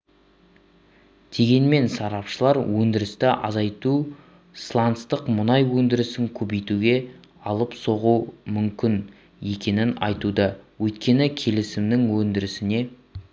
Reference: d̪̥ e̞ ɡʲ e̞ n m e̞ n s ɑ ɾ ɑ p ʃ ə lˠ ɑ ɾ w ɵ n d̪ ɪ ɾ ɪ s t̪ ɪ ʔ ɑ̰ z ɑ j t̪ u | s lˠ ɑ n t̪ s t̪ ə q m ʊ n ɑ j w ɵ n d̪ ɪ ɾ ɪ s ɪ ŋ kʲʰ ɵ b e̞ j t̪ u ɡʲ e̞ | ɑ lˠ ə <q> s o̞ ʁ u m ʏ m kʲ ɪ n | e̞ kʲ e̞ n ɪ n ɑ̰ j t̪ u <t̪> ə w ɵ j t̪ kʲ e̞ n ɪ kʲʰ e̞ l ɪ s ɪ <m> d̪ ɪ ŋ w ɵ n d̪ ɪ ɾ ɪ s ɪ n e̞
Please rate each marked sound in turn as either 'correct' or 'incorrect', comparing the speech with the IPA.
incorrect: p, incorrect: d̪, correct

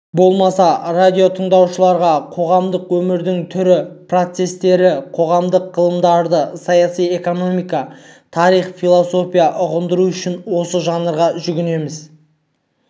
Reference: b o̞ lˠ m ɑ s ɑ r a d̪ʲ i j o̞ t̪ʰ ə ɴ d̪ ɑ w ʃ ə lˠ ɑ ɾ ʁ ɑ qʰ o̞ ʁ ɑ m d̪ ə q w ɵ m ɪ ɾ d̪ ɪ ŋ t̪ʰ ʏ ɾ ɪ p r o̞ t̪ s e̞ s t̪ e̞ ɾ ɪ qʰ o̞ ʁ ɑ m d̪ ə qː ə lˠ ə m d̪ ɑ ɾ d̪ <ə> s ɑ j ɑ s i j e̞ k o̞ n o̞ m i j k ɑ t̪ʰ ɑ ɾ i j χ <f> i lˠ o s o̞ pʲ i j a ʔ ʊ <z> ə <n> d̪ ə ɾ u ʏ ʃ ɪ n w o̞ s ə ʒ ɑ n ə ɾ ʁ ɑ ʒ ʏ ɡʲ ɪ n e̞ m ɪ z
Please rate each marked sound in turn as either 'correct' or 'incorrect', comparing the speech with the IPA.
correct, correct, incorrect: ʁ, correct

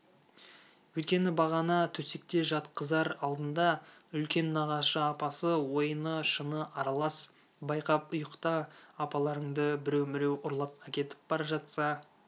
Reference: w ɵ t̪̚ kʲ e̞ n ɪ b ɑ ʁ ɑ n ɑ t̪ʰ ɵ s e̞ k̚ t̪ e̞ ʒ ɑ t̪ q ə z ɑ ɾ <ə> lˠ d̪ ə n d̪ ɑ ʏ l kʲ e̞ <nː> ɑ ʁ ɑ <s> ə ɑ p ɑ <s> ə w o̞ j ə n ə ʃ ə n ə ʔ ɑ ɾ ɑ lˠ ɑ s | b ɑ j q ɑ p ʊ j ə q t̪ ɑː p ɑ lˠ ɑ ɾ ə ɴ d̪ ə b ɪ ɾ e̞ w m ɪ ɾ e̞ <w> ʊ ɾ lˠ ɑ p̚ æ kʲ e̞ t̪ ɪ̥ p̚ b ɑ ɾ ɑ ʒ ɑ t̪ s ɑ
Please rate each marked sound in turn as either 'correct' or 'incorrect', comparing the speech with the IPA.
incorrect: ɑ, correct, incorrect: ʃ, correct, correct

